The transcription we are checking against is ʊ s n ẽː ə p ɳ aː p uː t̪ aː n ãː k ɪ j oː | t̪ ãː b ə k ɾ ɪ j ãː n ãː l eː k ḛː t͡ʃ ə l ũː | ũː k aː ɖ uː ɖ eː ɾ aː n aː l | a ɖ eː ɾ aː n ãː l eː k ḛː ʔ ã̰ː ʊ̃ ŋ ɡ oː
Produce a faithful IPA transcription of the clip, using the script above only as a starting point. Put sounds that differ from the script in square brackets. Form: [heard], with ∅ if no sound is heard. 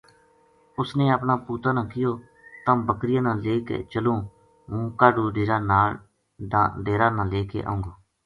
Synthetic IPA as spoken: ʊ s n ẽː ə p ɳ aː p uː t̪ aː n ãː k ɪ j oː | t̪ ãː b ə k ɾ ɪ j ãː n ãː l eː k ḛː t͡ʃ ə l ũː | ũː k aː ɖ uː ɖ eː ɾ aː n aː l | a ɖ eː ɾ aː n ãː l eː k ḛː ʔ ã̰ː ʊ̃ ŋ ɡ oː